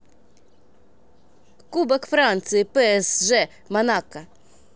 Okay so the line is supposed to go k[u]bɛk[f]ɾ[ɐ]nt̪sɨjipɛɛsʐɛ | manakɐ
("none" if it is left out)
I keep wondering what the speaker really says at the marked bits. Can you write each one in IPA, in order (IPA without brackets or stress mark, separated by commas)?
u, f, a